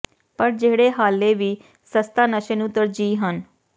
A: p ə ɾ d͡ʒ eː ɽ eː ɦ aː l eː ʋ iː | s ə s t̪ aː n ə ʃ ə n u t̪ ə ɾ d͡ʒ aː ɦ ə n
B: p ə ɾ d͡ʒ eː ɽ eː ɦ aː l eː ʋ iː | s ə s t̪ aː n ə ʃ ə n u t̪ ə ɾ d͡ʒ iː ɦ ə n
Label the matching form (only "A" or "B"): B